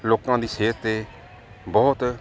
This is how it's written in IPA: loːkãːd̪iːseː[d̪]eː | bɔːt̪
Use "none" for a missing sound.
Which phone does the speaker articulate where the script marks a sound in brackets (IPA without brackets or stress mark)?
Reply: t̪